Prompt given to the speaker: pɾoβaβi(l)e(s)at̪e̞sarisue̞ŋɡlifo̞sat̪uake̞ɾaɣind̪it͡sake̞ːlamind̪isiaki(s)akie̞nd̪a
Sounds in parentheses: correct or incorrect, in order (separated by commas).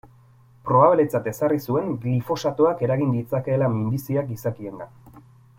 correct, incorrect, correct